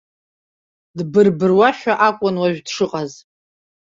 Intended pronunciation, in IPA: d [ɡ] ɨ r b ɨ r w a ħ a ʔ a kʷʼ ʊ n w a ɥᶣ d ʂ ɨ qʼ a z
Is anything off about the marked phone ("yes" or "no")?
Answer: yes